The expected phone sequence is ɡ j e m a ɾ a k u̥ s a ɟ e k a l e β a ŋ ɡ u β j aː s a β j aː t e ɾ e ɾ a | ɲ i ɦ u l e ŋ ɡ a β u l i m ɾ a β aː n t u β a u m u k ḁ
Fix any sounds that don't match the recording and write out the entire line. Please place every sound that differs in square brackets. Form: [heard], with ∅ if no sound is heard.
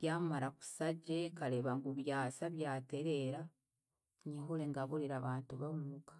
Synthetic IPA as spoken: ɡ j [a] m a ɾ a k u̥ s a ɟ e k a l e β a ŋ ɡ u β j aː s a β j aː t e ɾ e ɾ a | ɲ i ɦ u l e ŋ ɡ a β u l i [∅] ɾ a β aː n t u β a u m u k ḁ